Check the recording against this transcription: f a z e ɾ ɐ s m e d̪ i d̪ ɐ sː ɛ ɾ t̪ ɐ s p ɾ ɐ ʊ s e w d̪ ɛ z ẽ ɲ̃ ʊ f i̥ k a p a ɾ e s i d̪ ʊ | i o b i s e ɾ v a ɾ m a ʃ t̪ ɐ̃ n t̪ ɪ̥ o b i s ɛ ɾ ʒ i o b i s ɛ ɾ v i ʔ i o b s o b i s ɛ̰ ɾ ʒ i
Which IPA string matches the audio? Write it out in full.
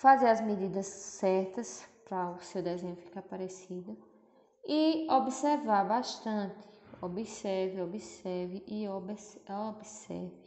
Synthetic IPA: f a z e ɾ ɐ z m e d̪ i d̪ ɐ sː ɛ ɾ t̪ ɐ s p ɾ ɐ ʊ s e w d̪ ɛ z ẽ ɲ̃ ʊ f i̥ k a p a ɾ e s i d̪ ʊ | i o b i s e ɾ v a ɾ b a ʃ t̪ ɐ̃ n t̪ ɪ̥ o b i s ɛ ɾ v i o b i s ɛ ɾ v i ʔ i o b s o b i s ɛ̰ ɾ v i